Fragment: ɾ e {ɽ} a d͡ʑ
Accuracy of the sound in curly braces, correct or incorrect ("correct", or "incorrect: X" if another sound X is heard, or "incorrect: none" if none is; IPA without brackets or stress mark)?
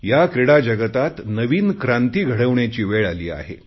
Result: correct